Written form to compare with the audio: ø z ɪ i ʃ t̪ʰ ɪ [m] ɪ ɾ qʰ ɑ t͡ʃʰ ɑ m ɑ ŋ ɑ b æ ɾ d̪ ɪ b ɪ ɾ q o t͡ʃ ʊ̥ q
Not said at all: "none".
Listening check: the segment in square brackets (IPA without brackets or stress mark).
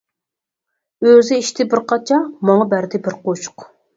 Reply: b